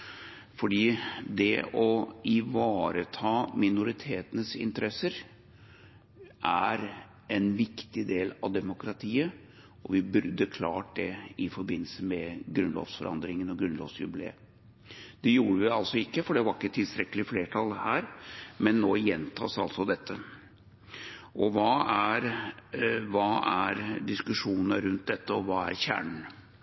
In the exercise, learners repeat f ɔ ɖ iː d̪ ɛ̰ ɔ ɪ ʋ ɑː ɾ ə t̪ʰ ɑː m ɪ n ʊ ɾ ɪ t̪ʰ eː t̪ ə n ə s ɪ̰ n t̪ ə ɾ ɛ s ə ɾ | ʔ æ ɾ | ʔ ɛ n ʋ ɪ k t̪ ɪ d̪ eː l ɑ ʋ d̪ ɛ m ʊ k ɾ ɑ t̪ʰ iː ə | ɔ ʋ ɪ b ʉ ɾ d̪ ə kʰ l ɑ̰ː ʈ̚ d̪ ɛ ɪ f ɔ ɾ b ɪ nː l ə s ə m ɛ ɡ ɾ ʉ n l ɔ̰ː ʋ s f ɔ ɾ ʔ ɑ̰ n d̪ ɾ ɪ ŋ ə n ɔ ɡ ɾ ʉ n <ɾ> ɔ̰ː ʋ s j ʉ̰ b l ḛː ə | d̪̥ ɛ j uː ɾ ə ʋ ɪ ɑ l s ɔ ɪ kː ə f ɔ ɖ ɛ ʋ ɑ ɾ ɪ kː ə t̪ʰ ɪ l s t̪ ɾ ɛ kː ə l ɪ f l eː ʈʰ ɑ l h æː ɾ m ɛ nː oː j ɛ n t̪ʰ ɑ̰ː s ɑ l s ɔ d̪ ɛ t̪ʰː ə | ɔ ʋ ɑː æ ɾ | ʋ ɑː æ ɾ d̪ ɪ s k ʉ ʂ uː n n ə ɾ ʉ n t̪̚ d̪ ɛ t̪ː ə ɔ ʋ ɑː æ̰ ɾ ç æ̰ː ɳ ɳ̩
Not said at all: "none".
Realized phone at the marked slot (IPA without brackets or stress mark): l